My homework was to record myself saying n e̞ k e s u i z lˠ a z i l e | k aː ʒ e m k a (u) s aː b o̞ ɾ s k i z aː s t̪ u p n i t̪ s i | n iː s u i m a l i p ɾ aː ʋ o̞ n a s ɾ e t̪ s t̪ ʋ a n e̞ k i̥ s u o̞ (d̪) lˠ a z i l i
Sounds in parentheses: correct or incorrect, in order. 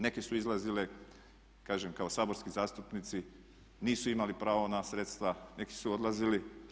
incorrect: o, correct

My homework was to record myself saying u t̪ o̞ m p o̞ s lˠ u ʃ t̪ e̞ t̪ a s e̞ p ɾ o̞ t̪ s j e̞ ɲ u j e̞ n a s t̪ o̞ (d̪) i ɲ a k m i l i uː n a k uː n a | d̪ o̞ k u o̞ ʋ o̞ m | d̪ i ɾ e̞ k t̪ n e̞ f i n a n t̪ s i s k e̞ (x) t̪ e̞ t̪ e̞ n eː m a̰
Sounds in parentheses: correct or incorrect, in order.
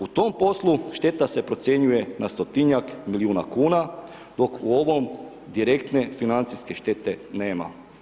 incorrect: t̪, incorrect: ʃ

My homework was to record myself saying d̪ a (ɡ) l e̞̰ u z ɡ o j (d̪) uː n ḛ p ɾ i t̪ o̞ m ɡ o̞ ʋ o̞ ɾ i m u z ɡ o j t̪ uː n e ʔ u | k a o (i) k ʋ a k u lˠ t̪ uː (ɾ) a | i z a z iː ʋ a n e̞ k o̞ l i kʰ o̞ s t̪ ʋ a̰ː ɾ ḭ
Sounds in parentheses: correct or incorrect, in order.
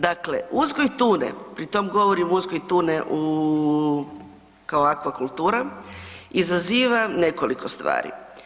incorrect: k, incorrect: t̪, incorrect: a, correct

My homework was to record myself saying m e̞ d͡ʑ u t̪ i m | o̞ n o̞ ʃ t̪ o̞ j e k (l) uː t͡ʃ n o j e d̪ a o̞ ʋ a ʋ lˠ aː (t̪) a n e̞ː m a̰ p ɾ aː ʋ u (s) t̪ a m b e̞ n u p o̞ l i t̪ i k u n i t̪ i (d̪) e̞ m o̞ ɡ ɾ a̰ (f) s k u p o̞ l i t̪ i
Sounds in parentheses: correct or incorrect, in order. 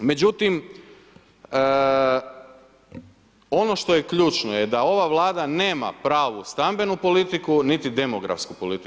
incorrect: ʎ, incorrect: d̪, correct, correct, correct

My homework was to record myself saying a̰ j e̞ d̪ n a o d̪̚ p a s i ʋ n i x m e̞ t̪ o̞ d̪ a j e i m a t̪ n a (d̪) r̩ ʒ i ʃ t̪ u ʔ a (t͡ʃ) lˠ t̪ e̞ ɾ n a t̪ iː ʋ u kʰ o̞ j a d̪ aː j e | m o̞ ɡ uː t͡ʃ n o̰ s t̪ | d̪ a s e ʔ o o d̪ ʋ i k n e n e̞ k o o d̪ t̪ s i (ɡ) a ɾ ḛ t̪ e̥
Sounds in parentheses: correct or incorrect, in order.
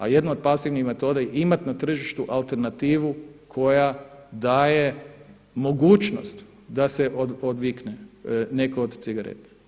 incorrect: t̪, incorrect: none, correct

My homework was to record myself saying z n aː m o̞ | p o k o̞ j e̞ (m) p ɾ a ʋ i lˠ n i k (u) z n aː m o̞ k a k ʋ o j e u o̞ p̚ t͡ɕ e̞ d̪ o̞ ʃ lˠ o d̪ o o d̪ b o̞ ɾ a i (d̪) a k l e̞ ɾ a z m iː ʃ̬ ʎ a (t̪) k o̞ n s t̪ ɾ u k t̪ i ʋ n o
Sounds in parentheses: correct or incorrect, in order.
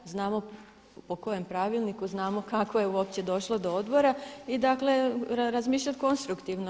correct, correct, correct, correct

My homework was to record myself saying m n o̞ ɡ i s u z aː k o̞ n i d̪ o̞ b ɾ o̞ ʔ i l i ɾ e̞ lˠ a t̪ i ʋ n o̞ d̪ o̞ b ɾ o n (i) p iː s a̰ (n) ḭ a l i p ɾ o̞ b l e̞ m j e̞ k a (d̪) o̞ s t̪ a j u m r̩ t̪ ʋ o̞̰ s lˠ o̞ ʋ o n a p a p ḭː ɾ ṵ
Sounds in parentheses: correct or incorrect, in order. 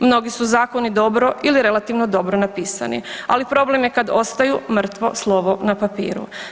incorrect: a, correct, correct

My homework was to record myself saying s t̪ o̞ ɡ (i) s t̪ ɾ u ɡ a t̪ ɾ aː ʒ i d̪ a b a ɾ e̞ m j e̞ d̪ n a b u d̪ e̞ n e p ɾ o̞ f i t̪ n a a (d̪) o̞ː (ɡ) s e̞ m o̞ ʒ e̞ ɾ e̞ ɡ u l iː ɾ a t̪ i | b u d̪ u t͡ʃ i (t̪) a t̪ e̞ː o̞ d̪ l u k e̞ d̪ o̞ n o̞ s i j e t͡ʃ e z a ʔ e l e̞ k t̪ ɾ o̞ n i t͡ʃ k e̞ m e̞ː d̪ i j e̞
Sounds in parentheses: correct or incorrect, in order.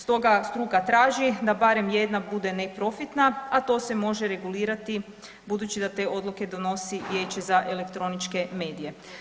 incorrect: a, incorrect: t̪, incorrect: none, incorrect: d̪

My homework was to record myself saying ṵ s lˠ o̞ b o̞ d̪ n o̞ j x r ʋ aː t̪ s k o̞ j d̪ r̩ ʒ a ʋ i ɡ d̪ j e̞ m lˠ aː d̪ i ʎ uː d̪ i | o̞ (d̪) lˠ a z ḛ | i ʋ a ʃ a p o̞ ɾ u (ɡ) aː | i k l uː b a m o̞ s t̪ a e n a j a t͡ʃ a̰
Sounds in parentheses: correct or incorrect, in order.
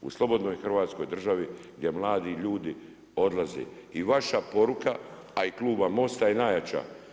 correct, incorrect: k

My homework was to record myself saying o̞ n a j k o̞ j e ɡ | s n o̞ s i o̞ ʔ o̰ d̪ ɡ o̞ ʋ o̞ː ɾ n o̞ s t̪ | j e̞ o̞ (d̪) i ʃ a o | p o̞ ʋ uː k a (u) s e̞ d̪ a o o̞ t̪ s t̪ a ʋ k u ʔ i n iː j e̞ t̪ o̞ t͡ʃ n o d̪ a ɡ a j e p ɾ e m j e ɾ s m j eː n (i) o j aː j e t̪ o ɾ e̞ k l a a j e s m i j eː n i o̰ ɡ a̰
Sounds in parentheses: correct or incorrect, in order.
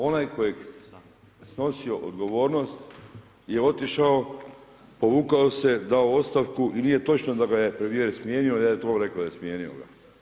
incorrect: t̪, incorrect: o, correct

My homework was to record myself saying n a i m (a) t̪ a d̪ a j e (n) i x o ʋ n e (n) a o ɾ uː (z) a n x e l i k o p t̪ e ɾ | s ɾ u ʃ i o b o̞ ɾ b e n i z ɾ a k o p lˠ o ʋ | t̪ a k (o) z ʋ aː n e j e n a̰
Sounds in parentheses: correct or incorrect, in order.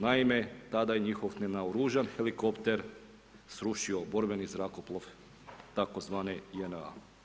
incorrect: e, incorrect: ɲ, correct, incorrect: ʒ, correct

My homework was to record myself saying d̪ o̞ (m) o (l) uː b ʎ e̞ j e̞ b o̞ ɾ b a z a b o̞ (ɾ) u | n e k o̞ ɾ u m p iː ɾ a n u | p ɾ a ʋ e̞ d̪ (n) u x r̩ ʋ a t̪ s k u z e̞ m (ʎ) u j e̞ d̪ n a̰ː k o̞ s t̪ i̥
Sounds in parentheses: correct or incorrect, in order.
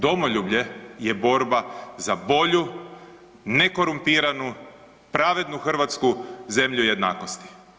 correct, incorrect: ʎ, incorrect: ʎ, correct, correct

